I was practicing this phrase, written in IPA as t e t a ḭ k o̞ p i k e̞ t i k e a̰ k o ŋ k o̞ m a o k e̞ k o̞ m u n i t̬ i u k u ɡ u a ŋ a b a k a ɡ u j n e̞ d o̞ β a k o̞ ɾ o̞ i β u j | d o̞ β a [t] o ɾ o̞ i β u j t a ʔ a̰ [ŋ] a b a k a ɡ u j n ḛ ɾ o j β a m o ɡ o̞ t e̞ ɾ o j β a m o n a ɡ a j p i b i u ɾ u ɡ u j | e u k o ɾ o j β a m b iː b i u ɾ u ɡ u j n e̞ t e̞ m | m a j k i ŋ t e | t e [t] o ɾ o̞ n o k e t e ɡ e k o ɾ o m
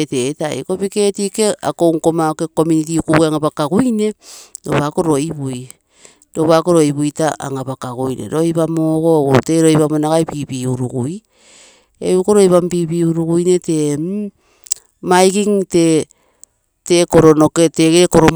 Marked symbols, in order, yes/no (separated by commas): no, yes, no